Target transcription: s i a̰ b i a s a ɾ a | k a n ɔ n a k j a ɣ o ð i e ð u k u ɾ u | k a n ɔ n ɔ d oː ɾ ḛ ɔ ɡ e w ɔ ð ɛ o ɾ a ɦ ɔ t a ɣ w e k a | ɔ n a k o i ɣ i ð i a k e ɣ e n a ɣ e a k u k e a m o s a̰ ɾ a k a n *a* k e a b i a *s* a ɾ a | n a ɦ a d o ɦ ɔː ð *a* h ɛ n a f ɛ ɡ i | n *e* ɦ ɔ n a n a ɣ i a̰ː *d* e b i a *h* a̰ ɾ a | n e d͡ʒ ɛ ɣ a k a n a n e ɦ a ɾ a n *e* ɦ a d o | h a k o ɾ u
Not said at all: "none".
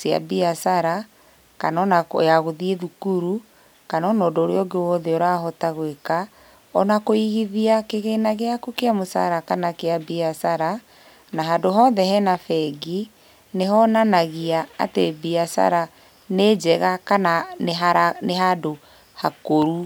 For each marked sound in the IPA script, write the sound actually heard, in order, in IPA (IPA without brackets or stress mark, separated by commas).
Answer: a, s, ɛ, e, t, s, e